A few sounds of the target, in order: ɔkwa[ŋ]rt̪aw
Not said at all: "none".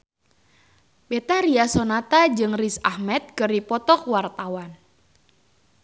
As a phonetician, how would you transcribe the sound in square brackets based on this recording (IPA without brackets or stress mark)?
none